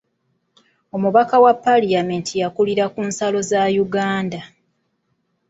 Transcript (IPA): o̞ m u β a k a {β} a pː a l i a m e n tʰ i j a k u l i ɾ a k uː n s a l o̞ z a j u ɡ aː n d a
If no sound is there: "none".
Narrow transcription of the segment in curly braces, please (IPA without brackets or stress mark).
w